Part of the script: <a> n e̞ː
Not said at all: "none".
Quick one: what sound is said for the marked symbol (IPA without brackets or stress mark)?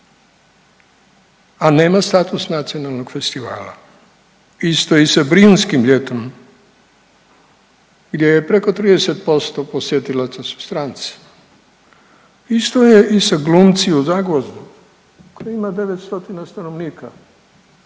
a